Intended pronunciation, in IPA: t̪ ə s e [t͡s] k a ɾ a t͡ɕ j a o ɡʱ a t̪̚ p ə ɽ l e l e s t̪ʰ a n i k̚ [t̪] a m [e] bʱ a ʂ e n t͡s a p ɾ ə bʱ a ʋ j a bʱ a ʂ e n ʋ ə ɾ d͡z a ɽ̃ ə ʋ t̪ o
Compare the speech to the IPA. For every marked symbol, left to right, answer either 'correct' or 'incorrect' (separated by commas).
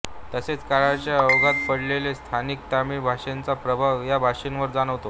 correct, correct, incorrect